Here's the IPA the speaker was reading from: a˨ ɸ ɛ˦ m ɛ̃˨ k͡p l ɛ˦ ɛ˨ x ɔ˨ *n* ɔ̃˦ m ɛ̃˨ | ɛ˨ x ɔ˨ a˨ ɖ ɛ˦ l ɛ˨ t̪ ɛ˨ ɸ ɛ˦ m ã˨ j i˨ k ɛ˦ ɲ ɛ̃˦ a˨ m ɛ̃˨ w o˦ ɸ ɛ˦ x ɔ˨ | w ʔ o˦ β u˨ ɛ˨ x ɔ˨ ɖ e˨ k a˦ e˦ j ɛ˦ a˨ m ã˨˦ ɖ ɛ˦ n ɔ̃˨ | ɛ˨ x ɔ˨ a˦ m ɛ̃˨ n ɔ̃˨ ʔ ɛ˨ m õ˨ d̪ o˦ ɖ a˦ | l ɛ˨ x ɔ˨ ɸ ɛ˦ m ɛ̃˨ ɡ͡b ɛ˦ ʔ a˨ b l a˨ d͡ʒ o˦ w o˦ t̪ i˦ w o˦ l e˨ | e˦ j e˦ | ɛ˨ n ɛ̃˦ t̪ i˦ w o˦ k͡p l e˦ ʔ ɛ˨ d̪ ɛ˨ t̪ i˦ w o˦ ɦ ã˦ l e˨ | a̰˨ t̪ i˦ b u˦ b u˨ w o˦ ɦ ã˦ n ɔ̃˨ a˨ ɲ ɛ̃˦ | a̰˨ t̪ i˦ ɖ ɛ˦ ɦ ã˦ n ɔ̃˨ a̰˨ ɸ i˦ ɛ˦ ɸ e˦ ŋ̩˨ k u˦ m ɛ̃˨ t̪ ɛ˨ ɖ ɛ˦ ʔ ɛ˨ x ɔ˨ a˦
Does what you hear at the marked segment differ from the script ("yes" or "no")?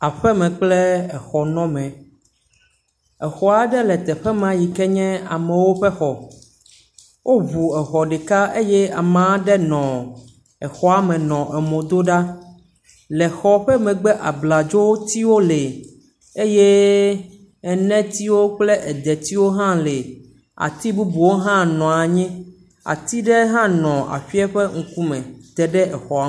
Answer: no